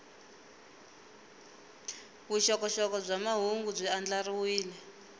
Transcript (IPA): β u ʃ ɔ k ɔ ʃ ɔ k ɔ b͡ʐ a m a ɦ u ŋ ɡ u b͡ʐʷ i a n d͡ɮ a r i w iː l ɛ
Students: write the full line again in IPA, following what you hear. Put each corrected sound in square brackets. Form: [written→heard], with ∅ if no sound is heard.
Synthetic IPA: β u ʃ ɔ k ɔ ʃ ɔ k ɔ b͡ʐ a m a ɦ u ŋ ɡ u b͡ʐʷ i a n d͡ɮ a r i w iː l ɛ